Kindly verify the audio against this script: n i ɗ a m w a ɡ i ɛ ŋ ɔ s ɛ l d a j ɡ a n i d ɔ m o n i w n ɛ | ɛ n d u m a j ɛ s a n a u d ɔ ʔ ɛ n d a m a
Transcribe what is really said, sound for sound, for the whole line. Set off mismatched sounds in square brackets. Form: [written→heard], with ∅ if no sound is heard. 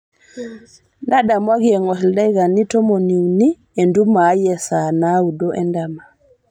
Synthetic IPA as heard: n [i→a] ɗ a m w a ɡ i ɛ ŋ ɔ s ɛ l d a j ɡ a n i [d→t] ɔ m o n i w n [ɛ→i] | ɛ n d u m a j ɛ s a n a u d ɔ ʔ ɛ n d a m a